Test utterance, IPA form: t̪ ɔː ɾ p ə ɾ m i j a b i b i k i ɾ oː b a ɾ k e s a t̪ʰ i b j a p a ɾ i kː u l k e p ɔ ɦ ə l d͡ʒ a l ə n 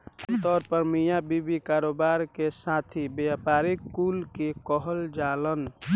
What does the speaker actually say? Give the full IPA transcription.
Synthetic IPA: t̪ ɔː ɾ p ə ɾ m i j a b i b i k a ɾ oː b a ɾ k e s a t̪ʰ i b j a p a ɾ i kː u l k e k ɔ ɦ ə l d͡ʒ a l ə n